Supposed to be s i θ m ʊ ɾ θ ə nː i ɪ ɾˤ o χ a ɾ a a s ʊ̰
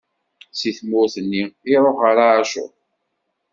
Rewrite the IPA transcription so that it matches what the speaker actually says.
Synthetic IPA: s i θ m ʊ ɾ θ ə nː i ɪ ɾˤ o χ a ɾ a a ʃ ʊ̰